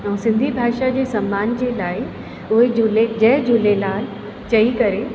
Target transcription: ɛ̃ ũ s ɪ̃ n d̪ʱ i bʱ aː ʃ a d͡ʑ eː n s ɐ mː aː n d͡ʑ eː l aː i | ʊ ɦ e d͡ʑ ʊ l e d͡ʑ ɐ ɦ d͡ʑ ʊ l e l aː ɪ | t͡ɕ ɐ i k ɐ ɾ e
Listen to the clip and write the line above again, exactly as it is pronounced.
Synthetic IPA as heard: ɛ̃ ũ s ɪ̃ n d̪ʱ i bʱ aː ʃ a d͡ʑ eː s ɐ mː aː n d͡ʑ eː l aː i | ʊ ɦ e d͡ʑ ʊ l e d͡ʑ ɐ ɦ d͡ʑ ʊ l e l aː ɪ | t͡ɕ ɐ i k ɐ ɾ e